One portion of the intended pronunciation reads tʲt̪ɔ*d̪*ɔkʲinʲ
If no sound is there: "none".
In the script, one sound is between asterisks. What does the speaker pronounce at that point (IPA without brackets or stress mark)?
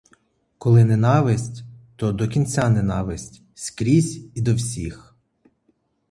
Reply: d̪